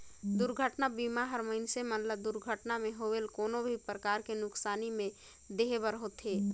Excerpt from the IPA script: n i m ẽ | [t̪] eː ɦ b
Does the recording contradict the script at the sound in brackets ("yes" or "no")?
yes